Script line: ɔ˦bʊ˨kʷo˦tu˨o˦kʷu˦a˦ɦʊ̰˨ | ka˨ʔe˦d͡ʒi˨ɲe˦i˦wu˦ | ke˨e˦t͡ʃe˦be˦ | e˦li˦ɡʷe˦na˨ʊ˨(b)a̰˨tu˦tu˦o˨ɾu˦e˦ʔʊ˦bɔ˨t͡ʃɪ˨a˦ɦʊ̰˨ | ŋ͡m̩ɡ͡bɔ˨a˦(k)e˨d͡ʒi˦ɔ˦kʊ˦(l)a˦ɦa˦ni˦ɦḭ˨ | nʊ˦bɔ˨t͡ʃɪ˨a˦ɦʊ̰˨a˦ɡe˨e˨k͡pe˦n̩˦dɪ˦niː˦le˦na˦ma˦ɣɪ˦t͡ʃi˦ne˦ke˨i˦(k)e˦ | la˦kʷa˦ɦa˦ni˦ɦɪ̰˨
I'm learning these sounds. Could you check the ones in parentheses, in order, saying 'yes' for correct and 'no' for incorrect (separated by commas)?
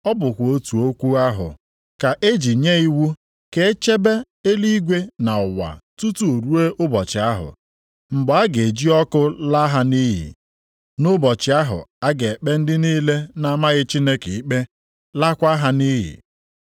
no, no, yes, no